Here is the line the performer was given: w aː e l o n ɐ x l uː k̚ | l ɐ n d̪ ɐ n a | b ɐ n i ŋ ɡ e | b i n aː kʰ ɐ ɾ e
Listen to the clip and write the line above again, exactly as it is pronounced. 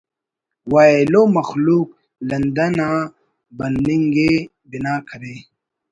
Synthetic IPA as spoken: w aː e l o m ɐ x l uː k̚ | l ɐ n d̪ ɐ n a | b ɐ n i ŋ ɡ e | b i n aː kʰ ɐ ɾ e

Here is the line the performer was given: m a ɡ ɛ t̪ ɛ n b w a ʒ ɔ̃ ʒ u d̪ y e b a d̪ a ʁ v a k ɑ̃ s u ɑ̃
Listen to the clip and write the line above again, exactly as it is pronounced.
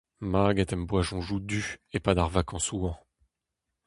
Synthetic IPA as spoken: m a ɡ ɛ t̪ ɛ m b w a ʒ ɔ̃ ʒ u d̪ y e p a d̪ a ʁ v a k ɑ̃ s u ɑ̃

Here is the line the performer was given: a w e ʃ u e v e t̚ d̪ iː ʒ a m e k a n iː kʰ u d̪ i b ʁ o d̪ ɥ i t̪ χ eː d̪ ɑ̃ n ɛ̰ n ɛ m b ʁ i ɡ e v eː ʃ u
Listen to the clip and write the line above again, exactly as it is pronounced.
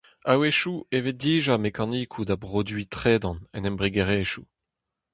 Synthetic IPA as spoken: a w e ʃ u e v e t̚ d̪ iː ʒ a m e k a n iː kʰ u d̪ a b ʁ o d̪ ɥ i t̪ χ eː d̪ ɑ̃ n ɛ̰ n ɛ m b ʁ i ɡ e ʁ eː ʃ u

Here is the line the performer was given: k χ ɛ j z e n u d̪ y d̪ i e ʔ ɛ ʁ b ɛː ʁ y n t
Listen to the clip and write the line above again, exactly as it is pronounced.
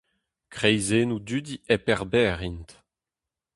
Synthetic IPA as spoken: k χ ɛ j z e n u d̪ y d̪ i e p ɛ ʁ b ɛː ʁ i n t

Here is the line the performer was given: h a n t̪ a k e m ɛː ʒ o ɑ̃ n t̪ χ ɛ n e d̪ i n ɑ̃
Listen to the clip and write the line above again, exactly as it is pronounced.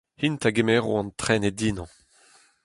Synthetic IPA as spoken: h i n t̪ a ɡ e m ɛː ʁ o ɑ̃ n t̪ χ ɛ n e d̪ i n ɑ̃

